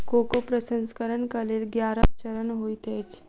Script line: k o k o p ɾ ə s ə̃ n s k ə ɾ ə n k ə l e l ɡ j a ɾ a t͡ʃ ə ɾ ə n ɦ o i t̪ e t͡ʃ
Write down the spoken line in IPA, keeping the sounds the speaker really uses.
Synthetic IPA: k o k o p ɾ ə s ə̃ n s k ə ɾ ə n k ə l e l ɡ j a ɾ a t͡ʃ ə ɾ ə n ɦ o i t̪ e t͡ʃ